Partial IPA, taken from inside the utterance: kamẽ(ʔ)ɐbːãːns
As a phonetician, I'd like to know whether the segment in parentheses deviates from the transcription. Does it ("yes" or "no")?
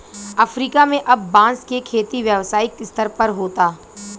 no